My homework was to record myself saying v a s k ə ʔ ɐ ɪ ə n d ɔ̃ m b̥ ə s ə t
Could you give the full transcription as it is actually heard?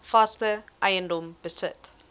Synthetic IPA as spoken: f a s t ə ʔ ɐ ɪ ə n d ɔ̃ m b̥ ə s ə t